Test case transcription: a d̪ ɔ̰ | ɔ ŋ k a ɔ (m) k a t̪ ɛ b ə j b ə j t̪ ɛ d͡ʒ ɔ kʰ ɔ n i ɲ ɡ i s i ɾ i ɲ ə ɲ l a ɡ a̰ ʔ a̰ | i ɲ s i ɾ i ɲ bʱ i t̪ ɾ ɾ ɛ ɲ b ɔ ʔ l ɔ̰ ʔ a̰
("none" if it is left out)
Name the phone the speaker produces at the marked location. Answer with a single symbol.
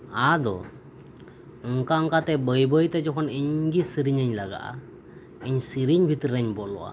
ŋ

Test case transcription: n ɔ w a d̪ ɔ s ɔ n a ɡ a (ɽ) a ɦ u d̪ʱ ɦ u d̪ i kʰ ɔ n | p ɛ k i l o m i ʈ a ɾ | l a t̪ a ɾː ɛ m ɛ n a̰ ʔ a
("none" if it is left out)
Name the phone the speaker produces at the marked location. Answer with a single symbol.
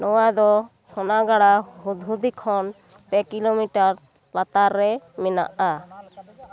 ɽ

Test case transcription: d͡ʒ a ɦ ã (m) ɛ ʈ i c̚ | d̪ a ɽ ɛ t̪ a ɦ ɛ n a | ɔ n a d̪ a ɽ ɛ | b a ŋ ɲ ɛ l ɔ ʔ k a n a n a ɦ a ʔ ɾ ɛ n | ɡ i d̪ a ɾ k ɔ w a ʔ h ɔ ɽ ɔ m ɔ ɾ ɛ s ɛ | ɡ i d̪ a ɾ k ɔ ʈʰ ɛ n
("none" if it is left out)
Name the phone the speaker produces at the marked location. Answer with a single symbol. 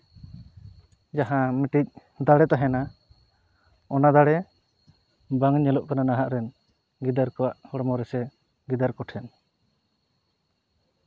m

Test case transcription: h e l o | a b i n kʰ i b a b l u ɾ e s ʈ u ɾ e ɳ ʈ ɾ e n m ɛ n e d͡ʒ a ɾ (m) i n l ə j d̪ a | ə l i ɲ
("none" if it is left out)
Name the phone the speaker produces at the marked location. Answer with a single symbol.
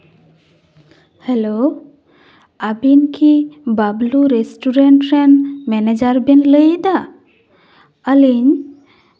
b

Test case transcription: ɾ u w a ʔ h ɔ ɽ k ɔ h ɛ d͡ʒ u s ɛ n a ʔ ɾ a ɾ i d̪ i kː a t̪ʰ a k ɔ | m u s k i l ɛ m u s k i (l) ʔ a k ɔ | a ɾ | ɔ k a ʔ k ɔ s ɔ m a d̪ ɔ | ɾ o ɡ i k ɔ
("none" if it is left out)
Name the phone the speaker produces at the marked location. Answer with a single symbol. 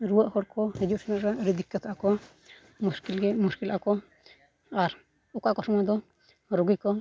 l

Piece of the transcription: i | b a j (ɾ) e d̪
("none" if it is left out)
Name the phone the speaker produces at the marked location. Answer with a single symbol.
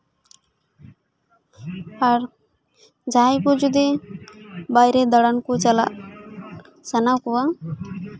ɾ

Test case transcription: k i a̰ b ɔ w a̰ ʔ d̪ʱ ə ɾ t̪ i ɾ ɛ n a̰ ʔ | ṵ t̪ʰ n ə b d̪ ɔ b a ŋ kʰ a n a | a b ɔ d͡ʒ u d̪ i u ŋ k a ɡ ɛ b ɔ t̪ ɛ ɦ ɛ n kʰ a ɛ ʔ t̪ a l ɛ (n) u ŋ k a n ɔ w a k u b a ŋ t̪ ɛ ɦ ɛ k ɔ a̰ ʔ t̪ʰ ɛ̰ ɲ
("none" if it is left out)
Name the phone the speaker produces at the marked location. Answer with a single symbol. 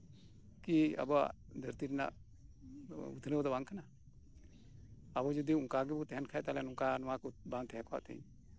n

